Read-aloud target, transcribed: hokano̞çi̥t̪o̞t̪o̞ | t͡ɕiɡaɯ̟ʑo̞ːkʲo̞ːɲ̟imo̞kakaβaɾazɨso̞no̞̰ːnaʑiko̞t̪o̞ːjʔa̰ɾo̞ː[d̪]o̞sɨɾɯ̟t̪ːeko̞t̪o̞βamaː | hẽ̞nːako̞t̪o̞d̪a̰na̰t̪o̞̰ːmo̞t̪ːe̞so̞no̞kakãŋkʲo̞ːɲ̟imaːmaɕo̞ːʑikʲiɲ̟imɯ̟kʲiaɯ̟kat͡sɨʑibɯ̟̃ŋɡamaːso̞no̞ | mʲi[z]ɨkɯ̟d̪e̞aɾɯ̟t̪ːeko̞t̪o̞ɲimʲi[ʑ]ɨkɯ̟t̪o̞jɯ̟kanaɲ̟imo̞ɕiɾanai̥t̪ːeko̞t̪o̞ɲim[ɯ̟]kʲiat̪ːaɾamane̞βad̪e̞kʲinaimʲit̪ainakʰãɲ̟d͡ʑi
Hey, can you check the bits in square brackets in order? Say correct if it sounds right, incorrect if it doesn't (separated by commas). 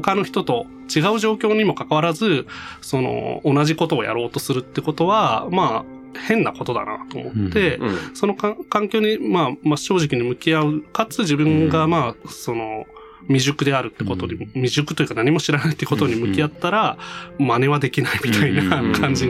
incorrect, incorrect, correct, correct